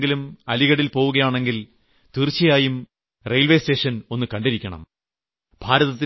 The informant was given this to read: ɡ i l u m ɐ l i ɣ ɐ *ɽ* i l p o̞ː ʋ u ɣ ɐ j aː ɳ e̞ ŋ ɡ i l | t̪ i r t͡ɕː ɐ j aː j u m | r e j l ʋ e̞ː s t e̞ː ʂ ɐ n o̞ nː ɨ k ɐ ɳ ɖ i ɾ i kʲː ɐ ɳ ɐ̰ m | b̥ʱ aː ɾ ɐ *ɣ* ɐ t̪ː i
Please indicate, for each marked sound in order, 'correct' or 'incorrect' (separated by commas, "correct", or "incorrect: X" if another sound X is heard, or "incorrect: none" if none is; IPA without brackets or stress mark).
correct, incorrect: ð